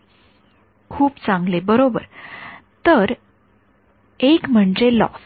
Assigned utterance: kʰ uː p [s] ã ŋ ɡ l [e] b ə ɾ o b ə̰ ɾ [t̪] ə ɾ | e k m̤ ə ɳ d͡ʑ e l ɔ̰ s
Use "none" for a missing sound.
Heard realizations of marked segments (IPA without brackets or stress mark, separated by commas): t͡s, e, t̪